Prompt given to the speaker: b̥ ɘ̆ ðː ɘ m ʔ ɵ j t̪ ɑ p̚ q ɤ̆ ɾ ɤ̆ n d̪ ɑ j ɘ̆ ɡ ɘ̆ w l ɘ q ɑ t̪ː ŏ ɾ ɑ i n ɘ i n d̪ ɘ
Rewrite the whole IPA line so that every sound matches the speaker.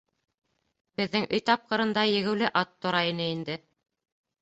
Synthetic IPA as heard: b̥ ɘ̆ ðː ɘ ŋ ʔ ɵ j t̪ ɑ p̚ q ɤ̆ ɾ ɤ̆ n d̪ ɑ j ɘ̆ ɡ ɘ̆ w l ɘ ʔ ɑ t̪ː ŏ ɾ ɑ i n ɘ i n d̪ ɘ